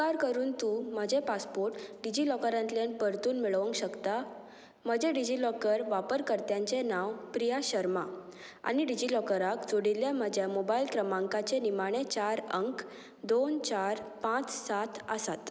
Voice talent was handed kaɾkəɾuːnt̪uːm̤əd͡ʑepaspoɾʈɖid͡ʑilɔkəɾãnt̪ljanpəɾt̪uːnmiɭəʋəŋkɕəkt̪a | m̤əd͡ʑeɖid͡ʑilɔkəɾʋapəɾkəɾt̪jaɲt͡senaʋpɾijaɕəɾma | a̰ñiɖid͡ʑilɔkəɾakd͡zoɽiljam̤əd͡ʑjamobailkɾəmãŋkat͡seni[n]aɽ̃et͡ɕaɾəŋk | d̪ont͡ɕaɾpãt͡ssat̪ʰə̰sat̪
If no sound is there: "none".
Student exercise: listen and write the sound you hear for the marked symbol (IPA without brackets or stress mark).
m